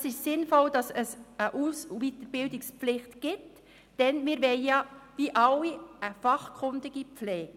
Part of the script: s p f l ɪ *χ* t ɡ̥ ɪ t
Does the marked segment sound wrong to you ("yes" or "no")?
no